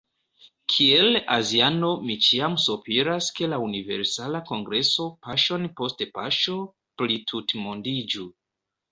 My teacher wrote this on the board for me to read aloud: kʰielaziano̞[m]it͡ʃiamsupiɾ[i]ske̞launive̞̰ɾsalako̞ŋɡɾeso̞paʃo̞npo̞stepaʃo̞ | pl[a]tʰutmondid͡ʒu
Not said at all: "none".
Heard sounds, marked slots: m, a, i

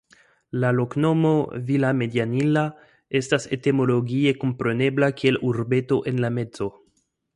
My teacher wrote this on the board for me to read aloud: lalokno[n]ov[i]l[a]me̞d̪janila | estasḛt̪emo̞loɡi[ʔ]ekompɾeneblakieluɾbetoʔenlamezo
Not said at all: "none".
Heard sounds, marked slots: m, i, a, none

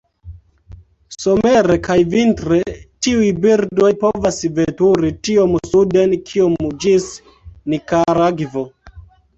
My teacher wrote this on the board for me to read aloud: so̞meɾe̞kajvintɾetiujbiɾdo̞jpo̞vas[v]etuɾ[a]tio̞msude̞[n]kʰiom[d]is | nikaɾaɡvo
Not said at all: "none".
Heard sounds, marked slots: v, i, n, d͡ʒ

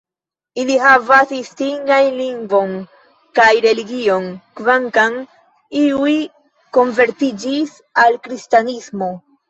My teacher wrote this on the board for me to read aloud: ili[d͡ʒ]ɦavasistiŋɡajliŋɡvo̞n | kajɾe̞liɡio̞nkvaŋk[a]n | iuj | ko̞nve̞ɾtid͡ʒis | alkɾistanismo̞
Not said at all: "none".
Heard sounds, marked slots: none, a

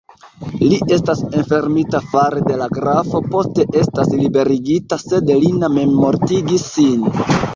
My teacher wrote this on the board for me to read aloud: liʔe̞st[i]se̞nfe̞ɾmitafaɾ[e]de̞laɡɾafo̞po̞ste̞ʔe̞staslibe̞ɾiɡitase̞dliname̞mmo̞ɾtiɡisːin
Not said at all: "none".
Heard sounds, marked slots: a, e

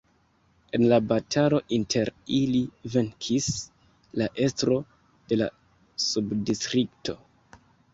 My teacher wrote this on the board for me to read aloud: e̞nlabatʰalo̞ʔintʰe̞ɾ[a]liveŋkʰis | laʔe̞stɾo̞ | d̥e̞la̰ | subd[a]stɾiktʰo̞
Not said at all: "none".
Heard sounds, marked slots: i, i

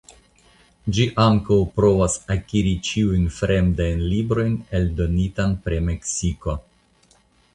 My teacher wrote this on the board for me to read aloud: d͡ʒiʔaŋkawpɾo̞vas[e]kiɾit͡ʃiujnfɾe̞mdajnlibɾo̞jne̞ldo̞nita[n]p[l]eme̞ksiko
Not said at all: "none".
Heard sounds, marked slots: a, n, ɾ

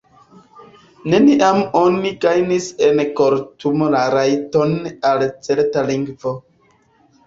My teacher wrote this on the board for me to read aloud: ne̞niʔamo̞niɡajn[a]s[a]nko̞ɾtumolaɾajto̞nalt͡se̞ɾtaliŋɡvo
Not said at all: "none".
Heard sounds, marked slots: i, e

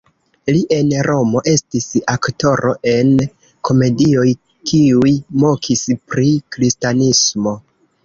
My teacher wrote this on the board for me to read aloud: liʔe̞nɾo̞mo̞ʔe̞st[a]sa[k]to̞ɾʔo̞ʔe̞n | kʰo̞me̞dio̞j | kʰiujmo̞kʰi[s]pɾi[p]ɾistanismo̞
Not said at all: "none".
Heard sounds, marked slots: i, k, s, k

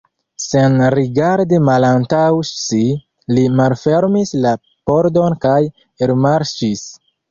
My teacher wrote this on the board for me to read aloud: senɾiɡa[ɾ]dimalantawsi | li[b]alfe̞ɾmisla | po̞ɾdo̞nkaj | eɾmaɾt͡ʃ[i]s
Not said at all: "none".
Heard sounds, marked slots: ɾ, m, i

